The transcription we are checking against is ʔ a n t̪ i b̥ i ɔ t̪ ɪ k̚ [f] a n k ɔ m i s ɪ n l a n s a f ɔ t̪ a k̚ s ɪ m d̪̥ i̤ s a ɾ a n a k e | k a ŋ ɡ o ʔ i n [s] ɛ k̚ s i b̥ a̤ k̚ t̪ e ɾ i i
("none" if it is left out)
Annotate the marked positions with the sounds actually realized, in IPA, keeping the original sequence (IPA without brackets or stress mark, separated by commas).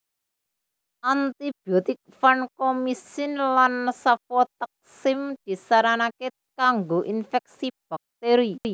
f, f